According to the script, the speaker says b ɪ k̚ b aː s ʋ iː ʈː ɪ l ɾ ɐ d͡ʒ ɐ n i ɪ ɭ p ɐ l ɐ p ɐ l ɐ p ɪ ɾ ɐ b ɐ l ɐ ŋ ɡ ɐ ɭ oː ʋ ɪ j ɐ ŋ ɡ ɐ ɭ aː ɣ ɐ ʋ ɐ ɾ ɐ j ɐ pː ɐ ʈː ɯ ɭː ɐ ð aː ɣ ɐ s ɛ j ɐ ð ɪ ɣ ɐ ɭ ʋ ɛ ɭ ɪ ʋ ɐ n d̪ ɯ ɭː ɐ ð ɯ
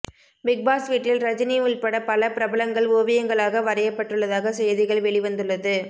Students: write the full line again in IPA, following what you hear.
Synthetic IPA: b ɪ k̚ b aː s ʋ iː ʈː ɪ l ɾ ɐ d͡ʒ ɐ n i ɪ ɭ p ɐ ɽ ɐ p ɐ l ɐ p ɪ ɾ ɐ b ɐ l ɐ ŋ ɡ ɐ ɭ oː ʋ ɪ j ɐ ŋ ɡ ɐ ɭ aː ɣ ɐ ʋ ɐ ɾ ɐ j ɐ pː ɐ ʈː ɯ ɭː ɐ ð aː ɣ ɐ s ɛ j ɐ ð ɪ ɣ ɐ ɭ ʋ ɛ ɭ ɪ ʋ ɐ n d̪ ɯ ɭː ɐ ð ɯ